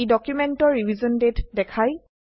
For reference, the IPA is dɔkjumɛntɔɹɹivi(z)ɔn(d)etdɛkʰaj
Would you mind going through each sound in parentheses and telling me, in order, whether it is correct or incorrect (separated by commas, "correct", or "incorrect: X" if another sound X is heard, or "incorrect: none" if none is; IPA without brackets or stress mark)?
correct, correct